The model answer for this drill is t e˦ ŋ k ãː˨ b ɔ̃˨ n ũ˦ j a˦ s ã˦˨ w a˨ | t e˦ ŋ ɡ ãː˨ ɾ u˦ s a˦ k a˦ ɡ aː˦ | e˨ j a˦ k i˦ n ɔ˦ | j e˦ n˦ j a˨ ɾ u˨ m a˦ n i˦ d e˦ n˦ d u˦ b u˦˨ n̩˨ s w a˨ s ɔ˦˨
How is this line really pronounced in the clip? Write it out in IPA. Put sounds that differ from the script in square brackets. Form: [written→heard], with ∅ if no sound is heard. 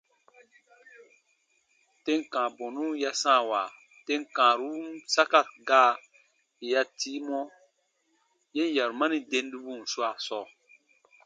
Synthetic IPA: t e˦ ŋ k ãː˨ b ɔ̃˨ n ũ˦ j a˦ s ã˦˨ w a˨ | t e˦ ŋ [ɡ→k] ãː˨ ɾ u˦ s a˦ k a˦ ɡ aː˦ | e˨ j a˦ [k→t] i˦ [n→m] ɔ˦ | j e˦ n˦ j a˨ ɾ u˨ m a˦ n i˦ d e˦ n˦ d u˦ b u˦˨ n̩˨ s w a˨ s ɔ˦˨